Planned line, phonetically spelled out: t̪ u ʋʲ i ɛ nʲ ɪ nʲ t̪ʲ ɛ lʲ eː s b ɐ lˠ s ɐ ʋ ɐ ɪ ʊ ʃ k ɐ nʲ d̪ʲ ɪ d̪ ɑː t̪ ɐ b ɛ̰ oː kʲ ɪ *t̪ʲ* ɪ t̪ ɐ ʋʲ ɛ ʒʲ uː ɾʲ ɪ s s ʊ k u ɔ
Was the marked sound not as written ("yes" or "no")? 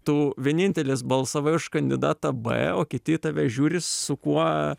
no